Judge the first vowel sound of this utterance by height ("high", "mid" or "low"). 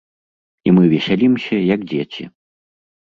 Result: high